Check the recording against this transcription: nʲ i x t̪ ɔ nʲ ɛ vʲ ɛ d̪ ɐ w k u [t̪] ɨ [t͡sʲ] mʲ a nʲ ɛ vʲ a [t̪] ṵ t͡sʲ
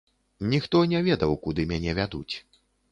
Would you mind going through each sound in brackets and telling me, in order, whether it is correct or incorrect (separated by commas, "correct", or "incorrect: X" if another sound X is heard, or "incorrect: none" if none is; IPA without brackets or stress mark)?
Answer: incorrect: d̪, incorrect: none, incorrect: d̪